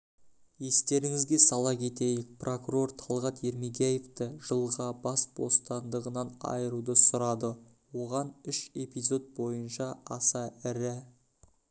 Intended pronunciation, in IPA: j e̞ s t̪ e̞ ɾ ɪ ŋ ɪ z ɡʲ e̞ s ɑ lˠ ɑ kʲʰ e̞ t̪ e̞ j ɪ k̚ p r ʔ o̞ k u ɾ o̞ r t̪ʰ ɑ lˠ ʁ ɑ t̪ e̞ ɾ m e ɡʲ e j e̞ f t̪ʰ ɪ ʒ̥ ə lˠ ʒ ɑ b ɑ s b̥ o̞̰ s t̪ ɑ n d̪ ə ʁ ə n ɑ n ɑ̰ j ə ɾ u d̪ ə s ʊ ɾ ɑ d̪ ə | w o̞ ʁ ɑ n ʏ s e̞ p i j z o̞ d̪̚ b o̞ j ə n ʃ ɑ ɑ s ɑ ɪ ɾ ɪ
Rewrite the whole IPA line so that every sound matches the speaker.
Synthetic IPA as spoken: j e̞ s t̪ e̞ ɾ ɪ ŋ ɪ z ɡʲ e̞ s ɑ lˠ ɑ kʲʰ e̞ t̪ e̞ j ɪ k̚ p r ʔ o̞ k u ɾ o̞ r t̪ʰ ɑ lˠ ʁ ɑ t̪ e̞ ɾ m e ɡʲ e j e̞ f t̪ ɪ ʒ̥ ə lˠ ʁ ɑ b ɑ s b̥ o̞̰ s t̪ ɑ n d̪ ə ʁ ə n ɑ n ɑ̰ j ə ɾ u d̪ ə s ʊ ɾ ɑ d̪ ə | w o̞ ʁ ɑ n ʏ ʃ e̞ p i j z o̞ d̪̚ b o̞ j ə n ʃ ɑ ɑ s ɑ ɪ ɾ ɪ